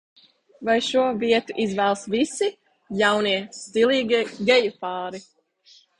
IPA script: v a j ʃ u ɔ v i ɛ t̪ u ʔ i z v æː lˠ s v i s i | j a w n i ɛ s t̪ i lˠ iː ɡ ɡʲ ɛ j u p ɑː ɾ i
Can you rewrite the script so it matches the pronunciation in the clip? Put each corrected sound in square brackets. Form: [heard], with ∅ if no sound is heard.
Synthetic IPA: v a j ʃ u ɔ v i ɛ t̪ u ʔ i z v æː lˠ s v i s i | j a w n i ɛ s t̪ i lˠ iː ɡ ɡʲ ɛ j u p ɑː ɾ i